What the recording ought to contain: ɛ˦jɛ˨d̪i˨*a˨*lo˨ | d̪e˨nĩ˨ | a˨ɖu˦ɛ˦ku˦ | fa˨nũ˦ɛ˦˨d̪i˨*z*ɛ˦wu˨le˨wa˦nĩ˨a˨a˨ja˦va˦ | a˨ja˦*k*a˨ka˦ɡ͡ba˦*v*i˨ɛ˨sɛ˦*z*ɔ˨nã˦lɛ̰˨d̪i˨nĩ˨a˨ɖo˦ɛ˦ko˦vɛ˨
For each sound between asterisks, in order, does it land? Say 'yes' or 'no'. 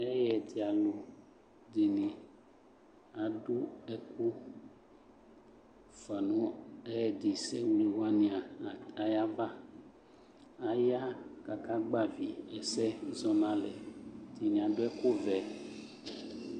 yes, no, yes, yes, yes

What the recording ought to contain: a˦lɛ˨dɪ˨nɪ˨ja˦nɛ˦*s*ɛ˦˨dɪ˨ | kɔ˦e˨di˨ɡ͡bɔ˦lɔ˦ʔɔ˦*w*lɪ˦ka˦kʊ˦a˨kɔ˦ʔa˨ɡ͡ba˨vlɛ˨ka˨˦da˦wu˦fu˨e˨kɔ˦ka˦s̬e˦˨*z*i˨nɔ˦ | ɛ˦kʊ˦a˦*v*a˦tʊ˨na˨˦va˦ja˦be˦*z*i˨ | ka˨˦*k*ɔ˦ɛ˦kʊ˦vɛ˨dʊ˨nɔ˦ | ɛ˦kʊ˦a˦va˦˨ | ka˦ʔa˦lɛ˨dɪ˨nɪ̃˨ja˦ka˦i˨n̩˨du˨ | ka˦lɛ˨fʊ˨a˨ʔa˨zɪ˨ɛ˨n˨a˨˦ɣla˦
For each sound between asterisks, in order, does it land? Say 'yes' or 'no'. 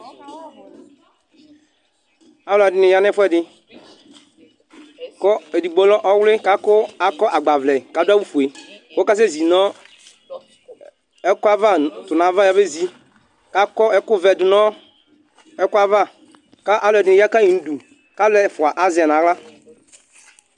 no, yes, yes, yes, yes, yes

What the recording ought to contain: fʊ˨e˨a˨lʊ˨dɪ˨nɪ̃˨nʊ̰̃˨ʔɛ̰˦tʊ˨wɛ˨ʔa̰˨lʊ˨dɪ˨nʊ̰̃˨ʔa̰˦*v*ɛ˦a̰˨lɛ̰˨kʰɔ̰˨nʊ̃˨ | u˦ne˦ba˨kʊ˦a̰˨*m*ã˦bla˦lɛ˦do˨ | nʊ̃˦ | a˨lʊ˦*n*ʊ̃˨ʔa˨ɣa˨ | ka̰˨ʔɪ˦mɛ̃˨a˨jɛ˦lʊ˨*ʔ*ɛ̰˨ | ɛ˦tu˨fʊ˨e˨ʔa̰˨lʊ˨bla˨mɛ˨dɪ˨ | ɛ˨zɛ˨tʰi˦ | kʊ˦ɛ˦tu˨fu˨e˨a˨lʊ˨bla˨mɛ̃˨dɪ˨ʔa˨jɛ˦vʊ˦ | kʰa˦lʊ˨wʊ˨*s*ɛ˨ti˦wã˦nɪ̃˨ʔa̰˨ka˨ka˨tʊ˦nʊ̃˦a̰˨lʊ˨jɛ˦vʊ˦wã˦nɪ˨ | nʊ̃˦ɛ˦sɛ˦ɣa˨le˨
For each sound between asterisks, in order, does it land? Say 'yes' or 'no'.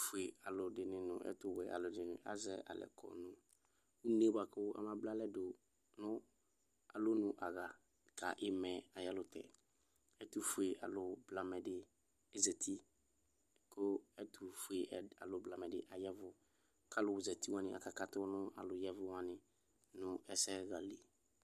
no, yes, yes, no, no

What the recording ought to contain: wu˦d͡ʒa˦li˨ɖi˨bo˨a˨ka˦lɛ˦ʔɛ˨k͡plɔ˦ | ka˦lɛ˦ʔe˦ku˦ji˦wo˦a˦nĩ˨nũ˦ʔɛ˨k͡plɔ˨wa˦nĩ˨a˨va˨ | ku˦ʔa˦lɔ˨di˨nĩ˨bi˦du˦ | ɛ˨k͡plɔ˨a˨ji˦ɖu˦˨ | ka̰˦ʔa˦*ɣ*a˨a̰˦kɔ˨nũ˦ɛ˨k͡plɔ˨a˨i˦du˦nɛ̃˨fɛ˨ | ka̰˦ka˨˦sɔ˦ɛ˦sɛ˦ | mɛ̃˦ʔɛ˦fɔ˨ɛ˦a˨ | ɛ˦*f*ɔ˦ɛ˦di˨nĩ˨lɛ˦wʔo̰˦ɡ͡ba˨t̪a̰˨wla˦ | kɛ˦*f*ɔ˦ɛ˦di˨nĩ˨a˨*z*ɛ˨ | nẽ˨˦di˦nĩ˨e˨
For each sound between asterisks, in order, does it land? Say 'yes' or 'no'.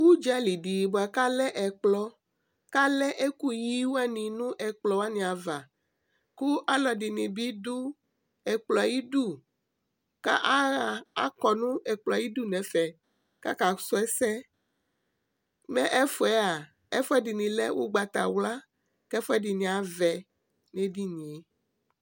yes, yes, yes, no

